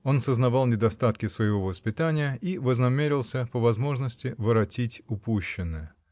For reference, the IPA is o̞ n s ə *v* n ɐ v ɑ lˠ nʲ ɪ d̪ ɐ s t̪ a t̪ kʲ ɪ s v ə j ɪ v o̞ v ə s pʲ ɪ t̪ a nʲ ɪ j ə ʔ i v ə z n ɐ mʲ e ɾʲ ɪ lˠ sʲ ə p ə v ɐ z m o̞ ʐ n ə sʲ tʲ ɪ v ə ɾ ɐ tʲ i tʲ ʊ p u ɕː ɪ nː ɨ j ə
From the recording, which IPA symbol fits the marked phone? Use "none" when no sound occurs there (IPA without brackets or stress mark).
z